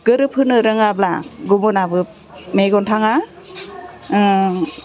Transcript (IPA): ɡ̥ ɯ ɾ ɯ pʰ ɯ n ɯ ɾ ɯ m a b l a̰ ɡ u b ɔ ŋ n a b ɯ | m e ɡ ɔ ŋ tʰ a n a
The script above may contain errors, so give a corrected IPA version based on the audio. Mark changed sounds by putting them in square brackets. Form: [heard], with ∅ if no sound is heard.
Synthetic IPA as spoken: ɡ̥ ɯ ɾ ɯ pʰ ɯ n ɯ ɾ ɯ [ŋ] a b l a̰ ɡ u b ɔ [∅] n a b ɯ | m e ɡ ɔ [n] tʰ a [ŋ] a